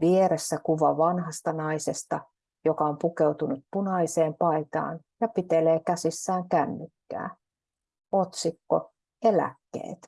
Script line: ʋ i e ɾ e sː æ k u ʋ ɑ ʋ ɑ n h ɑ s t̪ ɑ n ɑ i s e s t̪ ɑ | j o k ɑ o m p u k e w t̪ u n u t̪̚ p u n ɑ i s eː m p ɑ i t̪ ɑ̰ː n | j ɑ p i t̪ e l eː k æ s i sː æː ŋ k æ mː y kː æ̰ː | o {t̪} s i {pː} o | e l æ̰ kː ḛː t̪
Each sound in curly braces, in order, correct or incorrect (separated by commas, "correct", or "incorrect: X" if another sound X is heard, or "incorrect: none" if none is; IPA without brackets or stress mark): correct, incorrect: kː